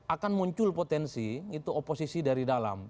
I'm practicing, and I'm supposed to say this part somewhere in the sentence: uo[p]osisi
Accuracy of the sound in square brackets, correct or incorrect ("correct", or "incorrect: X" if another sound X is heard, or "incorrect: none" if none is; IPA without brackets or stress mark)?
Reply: correct